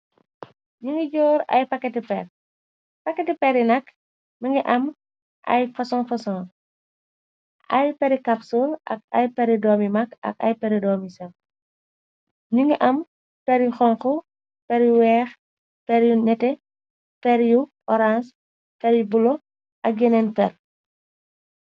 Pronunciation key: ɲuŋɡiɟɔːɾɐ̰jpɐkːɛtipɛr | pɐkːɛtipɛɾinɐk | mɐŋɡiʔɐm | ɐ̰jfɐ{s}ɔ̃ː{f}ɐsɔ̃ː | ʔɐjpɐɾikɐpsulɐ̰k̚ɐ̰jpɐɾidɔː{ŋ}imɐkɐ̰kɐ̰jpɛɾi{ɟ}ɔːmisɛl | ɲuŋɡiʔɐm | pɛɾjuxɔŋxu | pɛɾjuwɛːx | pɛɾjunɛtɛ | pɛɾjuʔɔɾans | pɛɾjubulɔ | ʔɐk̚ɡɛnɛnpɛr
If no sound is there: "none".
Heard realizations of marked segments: s, f, m, d

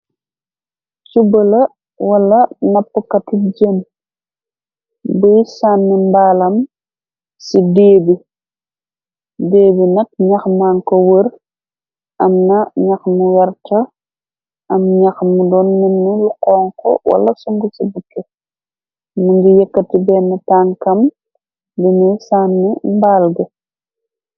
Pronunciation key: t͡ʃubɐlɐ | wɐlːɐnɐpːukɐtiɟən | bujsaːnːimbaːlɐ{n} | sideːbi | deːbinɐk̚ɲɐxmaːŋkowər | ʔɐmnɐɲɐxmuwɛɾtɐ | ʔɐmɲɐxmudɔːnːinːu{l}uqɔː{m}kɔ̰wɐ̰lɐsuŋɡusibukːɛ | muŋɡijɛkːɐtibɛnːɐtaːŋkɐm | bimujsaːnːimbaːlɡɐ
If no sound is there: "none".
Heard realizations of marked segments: m, l, ŋ

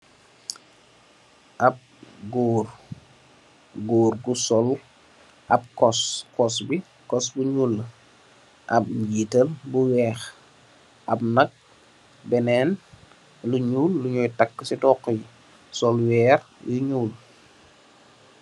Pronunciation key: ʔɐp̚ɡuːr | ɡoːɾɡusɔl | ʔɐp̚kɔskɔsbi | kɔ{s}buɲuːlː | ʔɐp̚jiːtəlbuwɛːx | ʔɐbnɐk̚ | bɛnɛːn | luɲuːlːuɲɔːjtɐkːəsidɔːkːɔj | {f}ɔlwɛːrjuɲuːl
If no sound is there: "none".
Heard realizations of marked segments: s, s

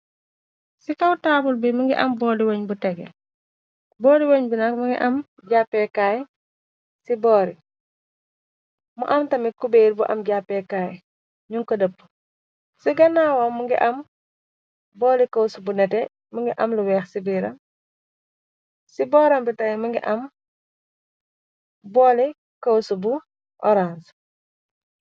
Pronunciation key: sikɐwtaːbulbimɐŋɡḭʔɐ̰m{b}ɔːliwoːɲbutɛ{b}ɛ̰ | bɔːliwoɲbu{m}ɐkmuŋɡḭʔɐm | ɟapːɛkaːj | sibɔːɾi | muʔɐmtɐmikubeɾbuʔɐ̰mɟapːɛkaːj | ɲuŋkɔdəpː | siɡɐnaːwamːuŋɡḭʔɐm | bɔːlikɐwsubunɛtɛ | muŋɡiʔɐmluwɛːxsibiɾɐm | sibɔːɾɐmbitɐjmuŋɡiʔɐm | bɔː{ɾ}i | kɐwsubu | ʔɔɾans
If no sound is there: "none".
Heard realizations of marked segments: b, ɡ, n, l

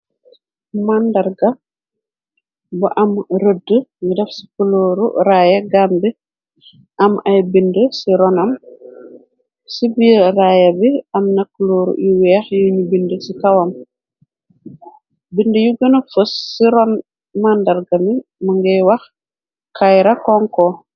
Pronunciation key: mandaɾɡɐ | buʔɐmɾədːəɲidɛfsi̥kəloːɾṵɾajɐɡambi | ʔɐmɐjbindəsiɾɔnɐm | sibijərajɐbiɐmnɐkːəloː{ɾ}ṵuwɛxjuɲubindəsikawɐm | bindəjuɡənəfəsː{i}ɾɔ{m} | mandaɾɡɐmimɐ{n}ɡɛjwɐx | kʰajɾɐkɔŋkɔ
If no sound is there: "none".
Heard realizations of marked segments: ɾ, i, n, ŋ

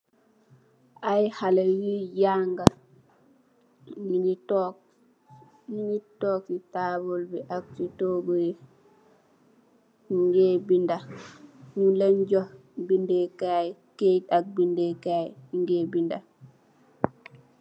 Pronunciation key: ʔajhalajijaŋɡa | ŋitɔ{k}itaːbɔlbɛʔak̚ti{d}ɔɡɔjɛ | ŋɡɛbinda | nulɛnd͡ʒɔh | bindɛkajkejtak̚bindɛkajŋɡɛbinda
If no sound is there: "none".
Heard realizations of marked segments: k, t

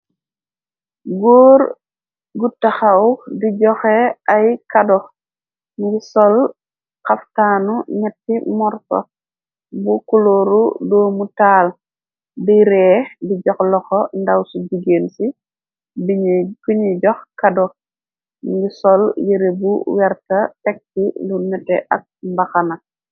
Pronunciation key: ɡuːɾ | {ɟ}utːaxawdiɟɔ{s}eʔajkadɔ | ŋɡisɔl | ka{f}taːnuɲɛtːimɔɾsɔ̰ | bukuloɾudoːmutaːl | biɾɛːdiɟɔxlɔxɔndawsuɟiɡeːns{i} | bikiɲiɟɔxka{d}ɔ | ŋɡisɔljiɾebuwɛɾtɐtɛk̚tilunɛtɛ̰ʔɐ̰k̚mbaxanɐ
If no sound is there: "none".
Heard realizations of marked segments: ɡ, x, f, i, d

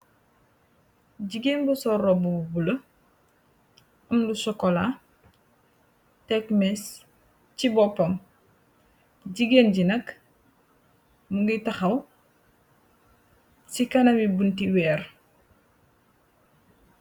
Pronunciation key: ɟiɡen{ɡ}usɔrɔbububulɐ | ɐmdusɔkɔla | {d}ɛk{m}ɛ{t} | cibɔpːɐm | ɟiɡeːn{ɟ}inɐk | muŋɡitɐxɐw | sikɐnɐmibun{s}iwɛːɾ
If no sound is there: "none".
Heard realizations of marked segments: b, t, m, s, ɟ, t

